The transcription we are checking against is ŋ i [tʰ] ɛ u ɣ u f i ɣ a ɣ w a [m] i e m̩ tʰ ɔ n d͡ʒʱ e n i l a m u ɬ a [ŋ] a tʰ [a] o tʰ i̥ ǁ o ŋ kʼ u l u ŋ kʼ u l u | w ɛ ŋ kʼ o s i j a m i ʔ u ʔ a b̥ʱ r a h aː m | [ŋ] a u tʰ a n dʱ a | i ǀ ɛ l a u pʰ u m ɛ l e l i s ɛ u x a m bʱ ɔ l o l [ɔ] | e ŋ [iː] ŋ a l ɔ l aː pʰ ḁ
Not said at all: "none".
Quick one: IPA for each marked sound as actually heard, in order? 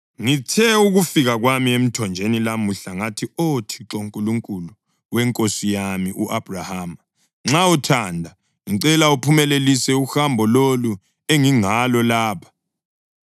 tʰ, m, ŋ, i, ŋ͡ǁ, u, i

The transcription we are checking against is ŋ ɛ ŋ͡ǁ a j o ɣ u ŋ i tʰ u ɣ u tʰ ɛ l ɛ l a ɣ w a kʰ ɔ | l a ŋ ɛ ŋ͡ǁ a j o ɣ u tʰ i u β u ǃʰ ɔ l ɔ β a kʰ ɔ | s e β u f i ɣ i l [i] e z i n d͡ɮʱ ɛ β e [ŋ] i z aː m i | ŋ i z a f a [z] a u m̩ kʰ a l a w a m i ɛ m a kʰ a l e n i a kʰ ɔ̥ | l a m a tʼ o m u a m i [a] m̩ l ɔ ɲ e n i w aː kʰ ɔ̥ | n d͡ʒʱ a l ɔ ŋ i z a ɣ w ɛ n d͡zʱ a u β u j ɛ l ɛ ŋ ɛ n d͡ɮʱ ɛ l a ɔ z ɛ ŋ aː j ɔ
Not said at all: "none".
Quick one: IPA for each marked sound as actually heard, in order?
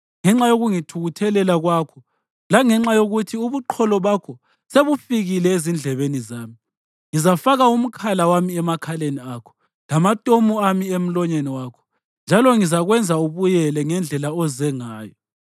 ɛ, n, ɣ, e

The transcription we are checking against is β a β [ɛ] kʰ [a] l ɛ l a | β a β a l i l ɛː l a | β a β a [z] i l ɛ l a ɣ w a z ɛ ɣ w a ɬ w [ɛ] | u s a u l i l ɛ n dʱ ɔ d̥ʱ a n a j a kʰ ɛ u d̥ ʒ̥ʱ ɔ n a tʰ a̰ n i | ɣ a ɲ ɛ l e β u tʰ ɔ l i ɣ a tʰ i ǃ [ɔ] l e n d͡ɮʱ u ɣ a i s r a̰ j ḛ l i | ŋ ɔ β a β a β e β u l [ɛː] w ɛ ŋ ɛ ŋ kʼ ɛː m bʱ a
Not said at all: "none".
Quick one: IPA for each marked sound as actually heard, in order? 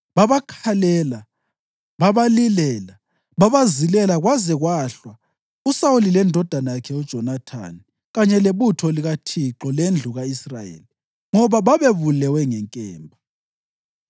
a, a, z, a, ɔ, ɛ

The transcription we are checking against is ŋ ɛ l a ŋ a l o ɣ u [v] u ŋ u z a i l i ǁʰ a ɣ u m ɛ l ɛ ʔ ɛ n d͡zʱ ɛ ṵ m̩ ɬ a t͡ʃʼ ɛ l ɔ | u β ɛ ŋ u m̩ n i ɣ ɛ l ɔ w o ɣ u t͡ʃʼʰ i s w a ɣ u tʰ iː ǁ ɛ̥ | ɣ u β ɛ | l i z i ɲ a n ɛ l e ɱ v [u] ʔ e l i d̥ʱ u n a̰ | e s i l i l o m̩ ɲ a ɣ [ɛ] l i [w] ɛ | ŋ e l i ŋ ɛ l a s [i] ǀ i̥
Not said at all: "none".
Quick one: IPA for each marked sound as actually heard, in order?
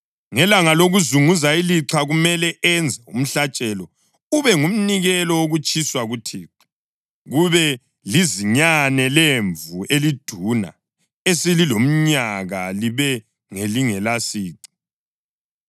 z, u, a, β, iː

